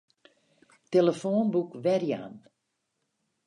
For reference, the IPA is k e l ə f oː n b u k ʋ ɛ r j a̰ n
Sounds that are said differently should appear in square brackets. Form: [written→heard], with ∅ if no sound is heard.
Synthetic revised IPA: [k→t] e l ə f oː n b u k ʋ ɛ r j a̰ n